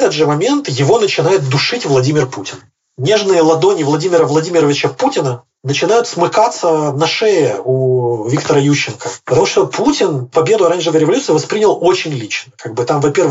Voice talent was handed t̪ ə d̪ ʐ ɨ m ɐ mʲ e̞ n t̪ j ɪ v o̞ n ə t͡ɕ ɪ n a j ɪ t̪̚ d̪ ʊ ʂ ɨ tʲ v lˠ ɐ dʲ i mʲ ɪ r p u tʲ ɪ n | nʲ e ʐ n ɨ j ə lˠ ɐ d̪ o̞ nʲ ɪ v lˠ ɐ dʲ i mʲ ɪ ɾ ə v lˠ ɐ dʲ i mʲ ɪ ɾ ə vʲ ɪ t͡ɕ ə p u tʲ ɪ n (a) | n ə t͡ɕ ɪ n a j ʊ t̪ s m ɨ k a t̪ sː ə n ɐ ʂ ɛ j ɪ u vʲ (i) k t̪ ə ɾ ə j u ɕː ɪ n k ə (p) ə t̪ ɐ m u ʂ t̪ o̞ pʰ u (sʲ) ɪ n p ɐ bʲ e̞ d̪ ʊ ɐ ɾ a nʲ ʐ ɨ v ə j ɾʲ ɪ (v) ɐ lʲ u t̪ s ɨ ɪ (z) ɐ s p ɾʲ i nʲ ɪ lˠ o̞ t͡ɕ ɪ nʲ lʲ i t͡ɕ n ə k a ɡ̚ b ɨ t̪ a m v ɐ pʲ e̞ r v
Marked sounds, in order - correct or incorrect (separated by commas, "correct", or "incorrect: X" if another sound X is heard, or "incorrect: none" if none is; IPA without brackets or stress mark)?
incorrect: ə, correct, correct, incorrect: tʲ, correct, incorrect: v